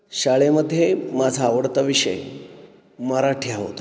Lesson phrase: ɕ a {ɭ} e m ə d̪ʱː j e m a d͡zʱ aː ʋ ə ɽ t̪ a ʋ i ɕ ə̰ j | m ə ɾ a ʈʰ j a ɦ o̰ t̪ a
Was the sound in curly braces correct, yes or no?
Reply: yes